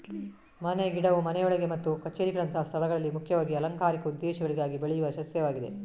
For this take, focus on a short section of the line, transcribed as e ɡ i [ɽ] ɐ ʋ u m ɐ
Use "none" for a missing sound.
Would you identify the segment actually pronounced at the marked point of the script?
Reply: ɽ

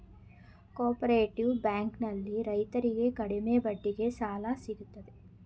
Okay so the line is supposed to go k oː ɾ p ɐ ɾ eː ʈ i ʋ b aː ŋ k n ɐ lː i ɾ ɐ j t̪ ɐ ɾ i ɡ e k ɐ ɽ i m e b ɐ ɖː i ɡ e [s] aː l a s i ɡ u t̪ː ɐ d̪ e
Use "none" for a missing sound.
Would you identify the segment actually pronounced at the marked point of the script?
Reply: s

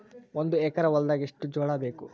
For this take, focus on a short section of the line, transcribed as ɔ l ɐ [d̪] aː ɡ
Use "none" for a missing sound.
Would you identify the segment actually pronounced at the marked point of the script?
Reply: d̪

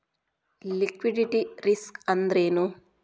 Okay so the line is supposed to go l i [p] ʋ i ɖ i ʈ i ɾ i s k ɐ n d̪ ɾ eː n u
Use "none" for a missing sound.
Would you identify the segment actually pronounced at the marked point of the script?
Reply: k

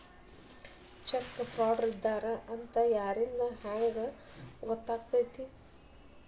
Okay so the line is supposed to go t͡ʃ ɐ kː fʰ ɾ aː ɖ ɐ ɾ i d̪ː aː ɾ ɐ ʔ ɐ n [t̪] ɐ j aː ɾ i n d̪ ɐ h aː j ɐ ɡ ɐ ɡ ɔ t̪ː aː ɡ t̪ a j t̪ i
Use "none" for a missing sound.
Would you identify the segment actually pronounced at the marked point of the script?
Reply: t̪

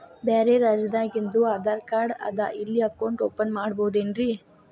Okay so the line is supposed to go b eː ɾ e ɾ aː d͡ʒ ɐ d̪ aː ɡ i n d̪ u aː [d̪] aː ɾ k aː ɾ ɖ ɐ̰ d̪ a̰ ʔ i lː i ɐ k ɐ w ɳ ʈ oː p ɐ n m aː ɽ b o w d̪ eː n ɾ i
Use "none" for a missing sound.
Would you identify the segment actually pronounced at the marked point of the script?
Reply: d̪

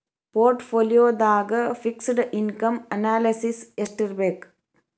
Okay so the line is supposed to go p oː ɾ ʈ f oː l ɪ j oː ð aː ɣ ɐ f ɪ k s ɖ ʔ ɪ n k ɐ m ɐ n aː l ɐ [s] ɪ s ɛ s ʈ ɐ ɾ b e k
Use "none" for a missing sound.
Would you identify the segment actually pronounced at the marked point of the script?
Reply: s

